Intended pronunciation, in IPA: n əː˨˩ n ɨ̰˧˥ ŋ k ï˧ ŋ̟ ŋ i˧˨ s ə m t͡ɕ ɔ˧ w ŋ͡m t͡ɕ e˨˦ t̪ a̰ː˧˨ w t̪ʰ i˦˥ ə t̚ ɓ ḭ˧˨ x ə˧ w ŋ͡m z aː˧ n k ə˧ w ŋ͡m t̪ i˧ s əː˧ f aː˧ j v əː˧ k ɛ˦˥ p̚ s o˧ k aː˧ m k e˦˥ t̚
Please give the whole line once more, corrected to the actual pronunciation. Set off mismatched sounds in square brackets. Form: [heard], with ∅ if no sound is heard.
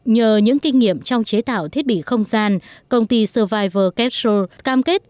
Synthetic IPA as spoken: [ɲ] əː˨˩ [ɲ] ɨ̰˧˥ ŋ k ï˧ ŋ̟ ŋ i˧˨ [∅] ə m t͡ɕ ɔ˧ w ŋ͡m t͡ɕ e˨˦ t̪ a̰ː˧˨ w t̪ʰ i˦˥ ə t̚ ɓ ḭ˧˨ x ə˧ w ŋ͡m z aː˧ n k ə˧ w ŋ͡m t̪ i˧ s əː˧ [v] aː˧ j v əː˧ k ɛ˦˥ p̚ s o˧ k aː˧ m k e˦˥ t̚